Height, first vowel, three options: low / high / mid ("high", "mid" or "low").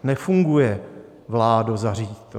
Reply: mid